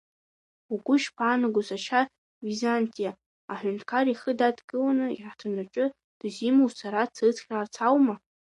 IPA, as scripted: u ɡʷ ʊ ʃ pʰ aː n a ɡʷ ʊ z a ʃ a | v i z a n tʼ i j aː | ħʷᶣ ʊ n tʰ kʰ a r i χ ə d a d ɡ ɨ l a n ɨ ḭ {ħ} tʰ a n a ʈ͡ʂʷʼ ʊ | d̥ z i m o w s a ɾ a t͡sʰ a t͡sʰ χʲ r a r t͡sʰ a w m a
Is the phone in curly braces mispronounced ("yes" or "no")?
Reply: no